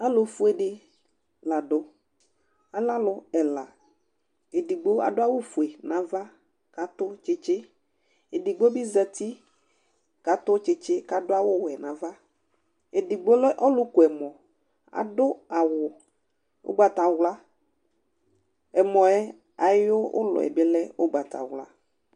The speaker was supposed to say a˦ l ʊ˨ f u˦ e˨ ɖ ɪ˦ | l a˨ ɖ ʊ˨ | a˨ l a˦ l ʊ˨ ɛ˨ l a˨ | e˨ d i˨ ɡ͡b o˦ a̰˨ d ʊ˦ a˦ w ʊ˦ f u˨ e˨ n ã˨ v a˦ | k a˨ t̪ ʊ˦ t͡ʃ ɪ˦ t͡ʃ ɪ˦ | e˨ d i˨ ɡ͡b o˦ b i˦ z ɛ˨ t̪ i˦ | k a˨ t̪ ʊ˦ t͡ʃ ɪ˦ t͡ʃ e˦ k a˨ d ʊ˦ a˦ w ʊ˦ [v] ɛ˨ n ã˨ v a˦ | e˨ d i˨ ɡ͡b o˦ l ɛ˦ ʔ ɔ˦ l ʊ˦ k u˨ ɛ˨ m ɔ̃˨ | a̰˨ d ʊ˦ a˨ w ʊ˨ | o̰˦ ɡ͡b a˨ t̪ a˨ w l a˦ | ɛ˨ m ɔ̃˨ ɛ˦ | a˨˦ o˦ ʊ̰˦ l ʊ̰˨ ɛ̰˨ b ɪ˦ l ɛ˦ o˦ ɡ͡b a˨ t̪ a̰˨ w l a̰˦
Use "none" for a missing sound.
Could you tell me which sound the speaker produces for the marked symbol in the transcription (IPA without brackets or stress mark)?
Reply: w